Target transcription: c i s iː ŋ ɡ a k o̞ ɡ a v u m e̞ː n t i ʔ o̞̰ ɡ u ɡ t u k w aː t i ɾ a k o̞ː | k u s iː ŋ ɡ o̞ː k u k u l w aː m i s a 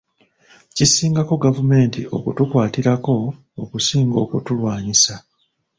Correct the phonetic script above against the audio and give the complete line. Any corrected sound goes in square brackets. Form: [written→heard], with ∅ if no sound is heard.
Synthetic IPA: c i s iː ŋ ɡ a k o̞ ɡ a v u m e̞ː n t i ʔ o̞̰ [ɡ→k] u [ɡ→∅] t u k w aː t i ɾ a k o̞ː | k u s iː ŋ ɡ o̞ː k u [k→t] u l w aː [m→ɲ] i s a